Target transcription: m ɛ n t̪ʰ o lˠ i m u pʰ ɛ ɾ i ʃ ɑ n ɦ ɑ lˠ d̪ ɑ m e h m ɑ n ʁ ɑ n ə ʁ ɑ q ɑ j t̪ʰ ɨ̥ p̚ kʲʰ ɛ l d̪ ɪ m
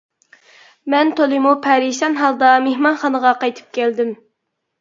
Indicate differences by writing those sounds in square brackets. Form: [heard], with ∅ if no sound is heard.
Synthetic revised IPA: m ɛ n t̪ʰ o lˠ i m u pʰ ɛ ɾ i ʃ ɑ n ɦ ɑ lˠ d̪ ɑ m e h m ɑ n [χ] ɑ n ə ʁ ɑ q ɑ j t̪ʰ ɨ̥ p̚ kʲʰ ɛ l d̪ ɪ m